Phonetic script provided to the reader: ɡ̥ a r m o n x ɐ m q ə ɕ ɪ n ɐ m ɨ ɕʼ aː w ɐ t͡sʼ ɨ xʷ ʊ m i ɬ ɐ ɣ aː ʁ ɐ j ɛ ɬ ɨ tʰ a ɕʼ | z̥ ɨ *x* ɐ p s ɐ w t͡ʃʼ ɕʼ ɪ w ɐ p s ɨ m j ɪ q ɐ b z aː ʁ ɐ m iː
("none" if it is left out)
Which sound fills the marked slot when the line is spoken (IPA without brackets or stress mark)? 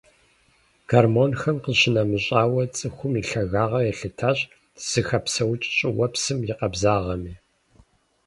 x